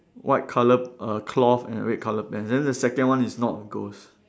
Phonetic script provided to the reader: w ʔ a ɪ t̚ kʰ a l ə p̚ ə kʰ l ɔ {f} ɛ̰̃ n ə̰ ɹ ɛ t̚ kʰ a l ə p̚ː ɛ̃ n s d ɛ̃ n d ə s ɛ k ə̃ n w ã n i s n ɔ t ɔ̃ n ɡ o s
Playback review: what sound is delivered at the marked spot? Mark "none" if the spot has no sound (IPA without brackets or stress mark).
f